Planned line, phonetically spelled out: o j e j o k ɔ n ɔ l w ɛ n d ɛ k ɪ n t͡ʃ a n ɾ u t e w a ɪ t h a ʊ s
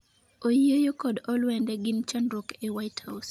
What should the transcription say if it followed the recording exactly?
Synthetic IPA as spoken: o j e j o k ɔ d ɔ l w ɛ n d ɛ ɡ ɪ n t͡ʃ a n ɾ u k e w a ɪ t h a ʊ s